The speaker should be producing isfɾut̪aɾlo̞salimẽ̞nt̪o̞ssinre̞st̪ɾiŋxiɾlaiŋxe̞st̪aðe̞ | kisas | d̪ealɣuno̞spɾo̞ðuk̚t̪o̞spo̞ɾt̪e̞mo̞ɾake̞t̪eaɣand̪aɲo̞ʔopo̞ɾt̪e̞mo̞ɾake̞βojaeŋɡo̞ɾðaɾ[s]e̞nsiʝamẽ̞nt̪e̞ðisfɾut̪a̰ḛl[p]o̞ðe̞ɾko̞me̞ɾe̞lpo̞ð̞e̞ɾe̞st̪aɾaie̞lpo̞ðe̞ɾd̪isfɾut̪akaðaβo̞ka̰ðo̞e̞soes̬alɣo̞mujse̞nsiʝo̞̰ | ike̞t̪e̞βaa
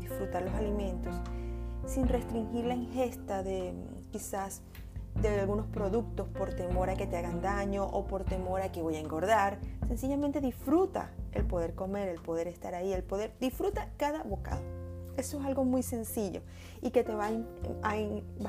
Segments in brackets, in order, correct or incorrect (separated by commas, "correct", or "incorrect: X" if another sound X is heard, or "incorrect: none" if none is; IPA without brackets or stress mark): correct, correct